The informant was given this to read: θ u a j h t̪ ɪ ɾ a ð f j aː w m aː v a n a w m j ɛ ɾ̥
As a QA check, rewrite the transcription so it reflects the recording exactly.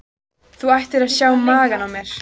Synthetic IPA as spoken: θ u a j h t̪ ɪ ɾ a ð s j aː w m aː ɣ a n a w m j ɛ ɾ̥